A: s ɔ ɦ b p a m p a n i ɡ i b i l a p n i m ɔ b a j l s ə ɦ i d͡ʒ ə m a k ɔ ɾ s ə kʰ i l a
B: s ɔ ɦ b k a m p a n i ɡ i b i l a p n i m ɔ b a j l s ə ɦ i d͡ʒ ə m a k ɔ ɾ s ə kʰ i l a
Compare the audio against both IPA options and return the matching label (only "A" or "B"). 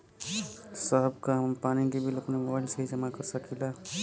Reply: B